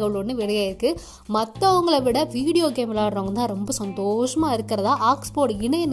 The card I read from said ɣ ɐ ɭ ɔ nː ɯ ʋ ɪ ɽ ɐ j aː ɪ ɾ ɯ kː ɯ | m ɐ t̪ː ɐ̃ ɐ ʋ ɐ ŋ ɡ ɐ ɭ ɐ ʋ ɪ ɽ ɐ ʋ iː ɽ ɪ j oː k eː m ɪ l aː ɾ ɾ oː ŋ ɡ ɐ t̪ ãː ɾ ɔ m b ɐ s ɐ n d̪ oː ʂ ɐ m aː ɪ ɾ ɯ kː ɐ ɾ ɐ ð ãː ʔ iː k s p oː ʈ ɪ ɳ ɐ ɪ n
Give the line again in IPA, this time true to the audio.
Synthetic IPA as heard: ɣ ɐ ɭ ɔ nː ɯ ʋ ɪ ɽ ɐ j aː ɪ ɾ ɯ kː ɯ | m ɐ t̪ː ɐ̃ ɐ ʋ ɐ ŋ ɡ ɐ ɭ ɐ ʋ ɪ ɽ ɐ ʋ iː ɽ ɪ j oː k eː m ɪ l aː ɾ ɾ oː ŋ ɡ ɐ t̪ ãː ɾ ɔ m b ɐ s ɐ n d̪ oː ʂ ɐ m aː ɪ ɾ ɯ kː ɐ ɾ ɐ ð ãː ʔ aː k s p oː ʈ ɪ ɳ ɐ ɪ n